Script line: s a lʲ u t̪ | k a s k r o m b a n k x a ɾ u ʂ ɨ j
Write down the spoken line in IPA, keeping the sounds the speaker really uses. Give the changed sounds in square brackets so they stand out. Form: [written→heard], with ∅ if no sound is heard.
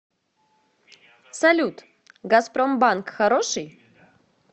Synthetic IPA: s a lʲ u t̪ | [k→ɡ] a s [k→p] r o m b a n k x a ɾ [u→o] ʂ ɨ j